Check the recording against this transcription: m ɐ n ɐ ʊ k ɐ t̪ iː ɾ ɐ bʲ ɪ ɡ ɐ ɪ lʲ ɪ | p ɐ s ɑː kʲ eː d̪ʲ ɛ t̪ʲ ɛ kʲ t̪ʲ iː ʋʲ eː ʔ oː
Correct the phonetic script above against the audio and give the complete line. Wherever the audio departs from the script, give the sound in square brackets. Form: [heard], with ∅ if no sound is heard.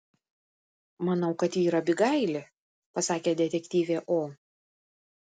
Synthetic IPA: m ɐ n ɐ ʊ k ɐ t̪ iː ɾ ɐ bʲ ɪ ɡ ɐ ɪ lʲ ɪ | p ɐ s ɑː kʲ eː d̪ʲ ɛ t̪ʲ ɛ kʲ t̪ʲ iː ʋʲ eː ʔ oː

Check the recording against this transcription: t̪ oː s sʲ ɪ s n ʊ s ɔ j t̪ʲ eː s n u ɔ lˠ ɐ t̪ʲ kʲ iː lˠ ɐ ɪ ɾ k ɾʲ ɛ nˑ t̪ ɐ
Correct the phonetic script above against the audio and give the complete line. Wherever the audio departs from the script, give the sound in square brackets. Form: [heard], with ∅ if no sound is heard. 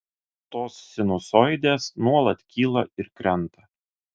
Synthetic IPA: t̪ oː s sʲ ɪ [∅] n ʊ s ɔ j [d̪ʲ] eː s n u ɔ lˠ ɐ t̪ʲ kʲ iː lˠ ɐ ɪ ɾ k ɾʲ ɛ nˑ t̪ ɐ

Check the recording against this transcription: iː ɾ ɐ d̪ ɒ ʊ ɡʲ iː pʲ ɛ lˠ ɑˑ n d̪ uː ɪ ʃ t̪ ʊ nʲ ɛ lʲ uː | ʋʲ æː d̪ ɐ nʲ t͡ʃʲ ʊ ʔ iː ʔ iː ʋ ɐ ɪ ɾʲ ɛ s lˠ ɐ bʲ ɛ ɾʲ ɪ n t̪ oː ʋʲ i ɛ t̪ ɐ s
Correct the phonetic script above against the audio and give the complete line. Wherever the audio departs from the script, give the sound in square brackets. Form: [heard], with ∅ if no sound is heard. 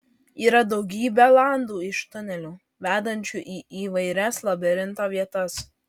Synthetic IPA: iː ɾ ɐ d̪ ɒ ʊ ɡʲ iː [bʲ] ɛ lˠ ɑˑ n d̪ uː ɪ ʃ t̪ ʊ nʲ ɛ lʲ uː | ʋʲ æː d̪ ɐ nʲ t͡ʃʲ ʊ ʔ iː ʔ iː ʋ ɐ ɪ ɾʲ ɛ s lˠ ɐ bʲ ɛ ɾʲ ɪ n t̪ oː ʋʲ i ɛ t̪ ɐ s

